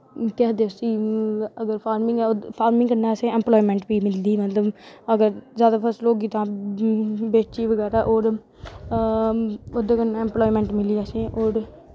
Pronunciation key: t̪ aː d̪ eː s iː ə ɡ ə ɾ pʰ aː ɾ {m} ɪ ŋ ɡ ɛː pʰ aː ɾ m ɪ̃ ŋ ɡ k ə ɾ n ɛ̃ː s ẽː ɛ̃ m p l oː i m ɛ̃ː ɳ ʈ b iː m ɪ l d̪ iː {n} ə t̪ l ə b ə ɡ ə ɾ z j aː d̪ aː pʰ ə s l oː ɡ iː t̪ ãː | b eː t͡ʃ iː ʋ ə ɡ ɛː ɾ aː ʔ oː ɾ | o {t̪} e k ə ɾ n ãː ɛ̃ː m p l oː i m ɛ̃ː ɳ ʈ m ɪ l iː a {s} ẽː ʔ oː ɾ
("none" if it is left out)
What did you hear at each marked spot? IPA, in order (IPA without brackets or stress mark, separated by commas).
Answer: m, m, d̪, s